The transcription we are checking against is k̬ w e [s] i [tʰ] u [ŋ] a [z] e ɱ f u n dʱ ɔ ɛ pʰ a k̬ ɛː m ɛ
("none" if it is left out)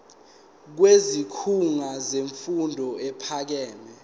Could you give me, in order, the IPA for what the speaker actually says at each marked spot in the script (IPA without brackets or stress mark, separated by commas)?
z, kʰ, ŋ, z